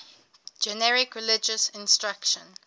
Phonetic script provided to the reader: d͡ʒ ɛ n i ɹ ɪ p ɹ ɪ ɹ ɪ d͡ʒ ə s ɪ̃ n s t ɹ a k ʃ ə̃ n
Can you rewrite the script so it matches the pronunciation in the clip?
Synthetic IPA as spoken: d͡ʒ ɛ n ɛ ɹ ɪ k ɹ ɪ l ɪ d͡ʒ ə s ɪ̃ n s t ɹ a k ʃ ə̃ n